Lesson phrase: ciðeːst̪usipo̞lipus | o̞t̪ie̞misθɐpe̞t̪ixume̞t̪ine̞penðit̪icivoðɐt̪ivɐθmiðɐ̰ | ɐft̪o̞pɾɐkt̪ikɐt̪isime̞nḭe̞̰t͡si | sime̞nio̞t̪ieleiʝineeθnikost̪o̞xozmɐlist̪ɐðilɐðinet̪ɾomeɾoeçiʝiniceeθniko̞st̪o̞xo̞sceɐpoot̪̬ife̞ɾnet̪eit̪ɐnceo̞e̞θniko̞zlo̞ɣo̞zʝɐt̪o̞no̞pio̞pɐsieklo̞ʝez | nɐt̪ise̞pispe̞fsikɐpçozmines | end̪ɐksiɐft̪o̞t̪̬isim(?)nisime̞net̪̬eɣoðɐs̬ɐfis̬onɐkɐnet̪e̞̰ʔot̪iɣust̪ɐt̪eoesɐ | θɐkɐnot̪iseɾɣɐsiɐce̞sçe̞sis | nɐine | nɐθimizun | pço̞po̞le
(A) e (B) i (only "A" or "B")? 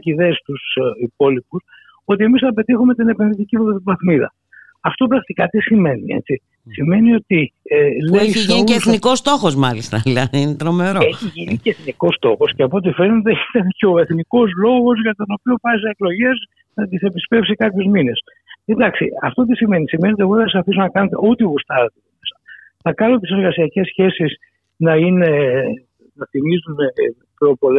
A